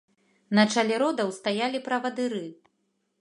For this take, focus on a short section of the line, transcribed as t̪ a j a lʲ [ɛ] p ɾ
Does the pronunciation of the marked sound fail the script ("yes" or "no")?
yes